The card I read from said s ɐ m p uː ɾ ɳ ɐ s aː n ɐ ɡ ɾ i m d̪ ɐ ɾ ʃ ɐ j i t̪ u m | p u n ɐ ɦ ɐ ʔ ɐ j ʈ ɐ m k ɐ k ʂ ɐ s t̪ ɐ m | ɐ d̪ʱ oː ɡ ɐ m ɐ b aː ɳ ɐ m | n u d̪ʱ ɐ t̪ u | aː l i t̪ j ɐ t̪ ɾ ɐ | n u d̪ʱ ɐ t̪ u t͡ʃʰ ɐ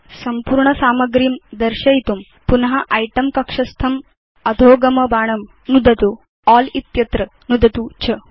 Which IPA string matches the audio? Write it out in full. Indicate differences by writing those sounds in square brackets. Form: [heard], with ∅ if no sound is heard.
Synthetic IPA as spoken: s ɐ m p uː ɾ ɳ ɐ s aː [m] ɐ ɡ ɾ i m d̪ ɐ ɾ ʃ ɐ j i t̪ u m | p u n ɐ ɦ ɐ ʔ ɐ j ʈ ɐ m k ɐ k ʂ ɐ s [t̪ʰ] ɐ m | ɐ d̪ʱ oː ɡ ɐ m ɐ b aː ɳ ɐ m | n u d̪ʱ ɐ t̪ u | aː l i t̪ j ɐ t̪ ɾ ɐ | n u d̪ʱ ɐ t̪ u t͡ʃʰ ɐ